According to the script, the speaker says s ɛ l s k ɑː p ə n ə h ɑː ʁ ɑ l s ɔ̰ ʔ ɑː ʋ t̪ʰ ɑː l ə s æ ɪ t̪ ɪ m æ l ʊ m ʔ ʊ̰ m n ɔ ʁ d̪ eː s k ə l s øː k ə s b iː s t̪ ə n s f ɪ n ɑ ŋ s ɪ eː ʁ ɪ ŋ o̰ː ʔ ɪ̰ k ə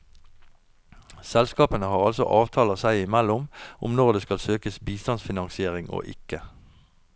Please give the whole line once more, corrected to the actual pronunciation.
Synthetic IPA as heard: s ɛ l s k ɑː p ə n ə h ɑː ʁ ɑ l s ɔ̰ ʔ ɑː ʋ t̪ʰ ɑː l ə s æ ɪ ɪ m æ l ʊ m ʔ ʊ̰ m n ɔ ʁ d̪ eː s k ɑ l s øː k ə s b iː s t̪ ɑ n s f ɪ n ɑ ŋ s ɪ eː ʁ ɪ ŋ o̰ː ʔ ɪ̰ k ə